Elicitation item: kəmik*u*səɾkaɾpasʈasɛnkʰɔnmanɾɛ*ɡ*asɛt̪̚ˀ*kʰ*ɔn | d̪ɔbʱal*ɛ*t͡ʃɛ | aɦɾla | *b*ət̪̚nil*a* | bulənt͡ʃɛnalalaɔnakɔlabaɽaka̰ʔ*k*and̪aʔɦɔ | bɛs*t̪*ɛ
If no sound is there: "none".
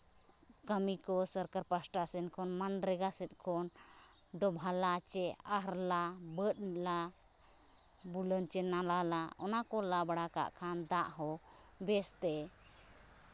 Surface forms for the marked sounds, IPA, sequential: ɔ, ɡ, kʰ, a, b, a, kʰ, t̪

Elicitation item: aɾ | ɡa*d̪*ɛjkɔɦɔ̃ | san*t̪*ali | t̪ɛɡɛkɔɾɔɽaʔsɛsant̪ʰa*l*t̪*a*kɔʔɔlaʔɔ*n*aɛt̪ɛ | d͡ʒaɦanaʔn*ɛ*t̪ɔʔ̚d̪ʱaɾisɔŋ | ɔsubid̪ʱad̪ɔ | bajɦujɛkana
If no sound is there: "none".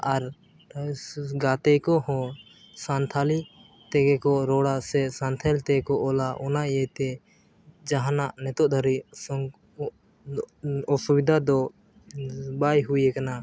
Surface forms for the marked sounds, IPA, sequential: t̪, t̪ʰ, l, ɛ, n, ɛ

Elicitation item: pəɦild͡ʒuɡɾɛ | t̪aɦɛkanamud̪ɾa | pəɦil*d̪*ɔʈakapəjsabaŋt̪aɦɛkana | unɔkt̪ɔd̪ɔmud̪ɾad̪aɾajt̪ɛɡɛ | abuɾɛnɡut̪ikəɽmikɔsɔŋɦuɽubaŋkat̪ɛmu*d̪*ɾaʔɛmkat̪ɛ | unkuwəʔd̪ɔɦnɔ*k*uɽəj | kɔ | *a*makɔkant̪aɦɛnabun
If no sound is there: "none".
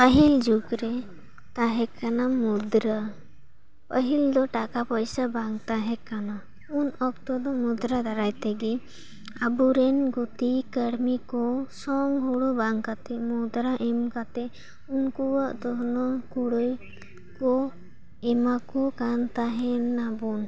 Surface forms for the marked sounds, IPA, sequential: d̪, d̪, k, ɛ

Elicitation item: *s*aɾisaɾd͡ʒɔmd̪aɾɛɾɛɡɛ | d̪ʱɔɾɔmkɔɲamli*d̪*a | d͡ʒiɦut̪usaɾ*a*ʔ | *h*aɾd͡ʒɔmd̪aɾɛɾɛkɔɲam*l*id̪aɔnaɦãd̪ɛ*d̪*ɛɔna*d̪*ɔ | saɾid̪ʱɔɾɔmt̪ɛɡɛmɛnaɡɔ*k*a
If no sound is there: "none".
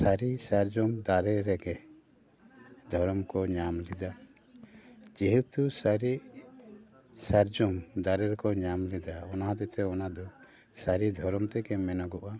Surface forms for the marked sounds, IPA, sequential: s, d̪, i, s, l, t̪, d̪, ʔ

